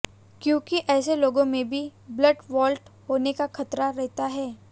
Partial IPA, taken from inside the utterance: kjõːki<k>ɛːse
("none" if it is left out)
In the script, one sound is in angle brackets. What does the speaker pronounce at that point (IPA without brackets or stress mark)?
ʔ